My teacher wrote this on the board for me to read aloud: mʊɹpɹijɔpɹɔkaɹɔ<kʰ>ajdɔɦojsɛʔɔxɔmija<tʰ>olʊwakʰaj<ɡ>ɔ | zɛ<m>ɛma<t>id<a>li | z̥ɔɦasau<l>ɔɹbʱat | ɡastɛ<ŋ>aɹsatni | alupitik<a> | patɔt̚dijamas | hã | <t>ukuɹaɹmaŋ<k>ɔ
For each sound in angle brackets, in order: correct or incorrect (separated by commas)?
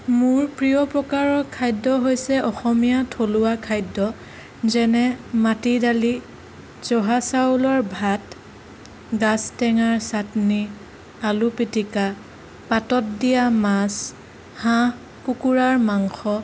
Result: correct, correct, incorrect, incorrect, correct, correct, correct, correct, correct, incorrect, incorrect